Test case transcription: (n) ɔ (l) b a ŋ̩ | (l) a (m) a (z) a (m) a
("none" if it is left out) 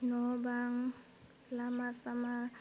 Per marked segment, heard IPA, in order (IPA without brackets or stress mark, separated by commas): n, none, l, m, s, m